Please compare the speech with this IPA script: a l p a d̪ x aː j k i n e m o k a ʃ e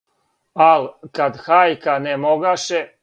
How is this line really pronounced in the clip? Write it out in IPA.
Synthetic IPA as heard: a l k a d̪ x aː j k a n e m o ɡ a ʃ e